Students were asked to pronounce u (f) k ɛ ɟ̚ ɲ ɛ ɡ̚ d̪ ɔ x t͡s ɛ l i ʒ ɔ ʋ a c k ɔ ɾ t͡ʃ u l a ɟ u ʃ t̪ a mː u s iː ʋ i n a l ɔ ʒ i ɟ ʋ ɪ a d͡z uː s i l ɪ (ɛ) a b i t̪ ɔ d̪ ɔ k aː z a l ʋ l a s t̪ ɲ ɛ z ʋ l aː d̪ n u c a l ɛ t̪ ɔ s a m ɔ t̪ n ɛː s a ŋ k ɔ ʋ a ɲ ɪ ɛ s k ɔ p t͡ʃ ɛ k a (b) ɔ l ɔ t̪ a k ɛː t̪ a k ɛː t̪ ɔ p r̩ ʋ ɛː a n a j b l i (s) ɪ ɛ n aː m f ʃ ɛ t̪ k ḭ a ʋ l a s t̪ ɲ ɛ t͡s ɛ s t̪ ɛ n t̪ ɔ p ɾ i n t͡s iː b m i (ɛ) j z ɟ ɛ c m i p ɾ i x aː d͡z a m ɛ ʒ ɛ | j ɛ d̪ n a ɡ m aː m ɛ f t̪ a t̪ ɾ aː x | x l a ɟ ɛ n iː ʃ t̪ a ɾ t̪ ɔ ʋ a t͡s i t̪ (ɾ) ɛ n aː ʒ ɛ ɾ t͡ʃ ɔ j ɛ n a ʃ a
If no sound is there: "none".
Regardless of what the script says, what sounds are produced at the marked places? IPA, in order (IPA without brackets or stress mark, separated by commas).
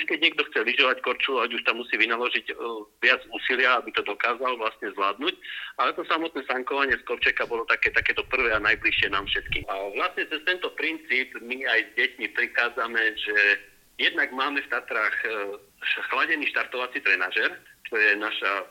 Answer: ʃ, a, b, ʃ, a, ɾ